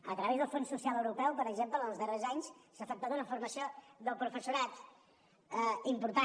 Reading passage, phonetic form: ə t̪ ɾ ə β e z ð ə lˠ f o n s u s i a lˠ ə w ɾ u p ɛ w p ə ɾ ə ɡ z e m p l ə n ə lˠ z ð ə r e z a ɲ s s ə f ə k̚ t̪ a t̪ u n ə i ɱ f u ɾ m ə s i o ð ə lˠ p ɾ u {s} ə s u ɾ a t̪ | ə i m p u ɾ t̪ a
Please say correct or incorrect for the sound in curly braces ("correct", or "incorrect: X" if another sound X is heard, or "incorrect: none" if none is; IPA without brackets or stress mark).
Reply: incorrect: f